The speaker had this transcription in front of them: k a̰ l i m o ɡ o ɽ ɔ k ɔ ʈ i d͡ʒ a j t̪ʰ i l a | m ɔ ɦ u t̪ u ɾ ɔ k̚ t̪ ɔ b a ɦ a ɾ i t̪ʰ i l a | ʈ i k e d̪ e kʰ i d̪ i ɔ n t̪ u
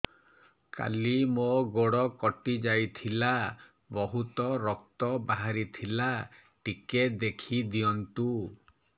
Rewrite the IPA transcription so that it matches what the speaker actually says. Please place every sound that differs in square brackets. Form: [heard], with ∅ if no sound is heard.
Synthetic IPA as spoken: k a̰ l i m o ɡ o ɽ ɔ k ɔ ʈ i d͡ʒ a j t̪ʰ i l a | [b] ɔ ɦ u t̪ [ɔ] ɾ ɔ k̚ t̪ ɔ b a ɦ a ɾ i t̪ʰ i l a | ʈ i k e d̪ e kʰ i d̪ i ɔ n t̪ u